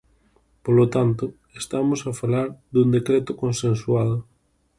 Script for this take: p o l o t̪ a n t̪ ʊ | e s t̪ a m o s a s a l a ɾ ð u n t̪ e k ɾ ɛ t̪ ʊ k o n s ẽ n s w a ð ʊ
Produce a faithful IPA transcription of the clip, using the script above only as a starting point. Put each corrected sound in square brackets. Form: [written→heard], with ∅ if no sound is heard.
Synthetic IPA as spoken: p o l o t̪ a n t̪ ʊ | e s t̪ a m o s a [s→f] a l a ɾ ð u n [t̪→d̪] e k ɾ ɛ t̪ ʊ k o n s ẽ n s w a ð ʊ

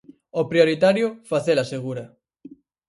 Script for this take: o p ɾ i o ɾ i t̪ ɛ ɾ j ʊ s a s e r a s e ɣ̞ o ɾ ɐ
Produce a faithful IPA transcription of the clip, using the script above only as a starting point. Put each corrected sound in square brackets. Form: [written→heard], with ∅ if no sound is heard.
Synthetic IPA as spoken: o p ɾ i o ɾ i t̪ [ɛ→a] ɾ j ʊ [s→f] a [s→θ] e [r→l] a s e ɣ̞ [o→u] ɾ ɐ

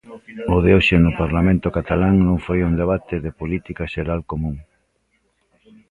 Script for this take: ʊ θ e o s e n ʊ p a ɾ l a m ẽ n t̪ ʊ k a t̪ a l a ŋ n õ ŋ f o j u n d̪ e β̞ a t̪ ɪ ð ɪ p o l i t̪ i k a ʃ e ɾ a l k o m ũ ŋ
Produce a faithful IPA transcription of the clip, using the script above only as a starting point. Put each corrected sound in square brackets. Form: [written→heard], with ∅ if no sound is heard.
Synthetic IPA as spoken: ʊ [θ→ð] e o [s→ʃ] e n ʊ p a ɾ l a m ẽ n t̪ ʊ k a t̪ a l a ŋ n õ ŋ f o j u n d̪ e β̞ a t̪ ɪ ð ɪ p o l i t̪ i k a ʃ e ɾ a l k o m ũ ŋ

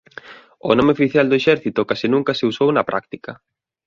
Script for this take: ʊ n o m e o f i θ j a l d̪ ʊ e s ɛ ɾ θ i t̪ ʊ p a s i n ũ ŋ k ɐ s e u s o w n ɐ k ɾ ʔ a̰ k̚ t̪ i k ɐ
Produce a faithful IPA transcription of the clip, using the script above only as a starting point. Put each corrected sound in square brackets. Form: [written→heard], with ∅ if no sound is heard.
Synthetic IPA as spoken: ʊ n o m e o f i θ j a l d̪ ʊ e [s→ʃ] ɛ ɾ θ i t̪ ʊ [p→k] a s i n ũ ŋ k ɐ s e u s o w n ɐ [k→p] ɾ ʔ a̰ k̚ t̪ i k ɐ

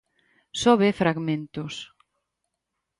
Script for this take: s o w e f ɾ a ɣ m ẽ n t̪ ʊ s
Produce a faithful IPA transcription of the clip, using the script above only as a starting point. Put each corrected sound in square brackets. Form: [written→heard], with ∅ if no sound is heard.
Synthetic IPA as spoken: s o [w→β] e f ɾ a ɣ m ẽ n t̪ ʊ s

